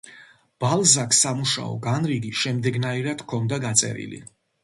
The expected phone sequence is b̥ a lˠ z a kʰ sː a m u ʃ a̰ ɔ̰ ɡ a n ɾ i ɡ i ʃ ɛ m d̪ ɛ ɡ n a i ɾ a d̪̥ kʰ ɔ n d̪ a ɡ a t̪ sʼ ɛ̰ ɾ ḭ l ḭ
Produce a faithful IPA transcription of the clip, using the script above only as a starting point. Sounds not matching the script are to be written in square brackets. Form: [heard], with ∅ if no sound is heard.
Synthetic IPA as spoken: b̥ a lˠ z a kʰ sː a m u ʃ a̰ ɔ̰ ɡ a n ɾ i ɡ i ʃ ɛ m d̪ ɛ ɡ n a i ɾ a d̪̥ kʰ ɔ n d̪ a ɡ a t̪ sʼ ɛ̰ ɾ ḭ l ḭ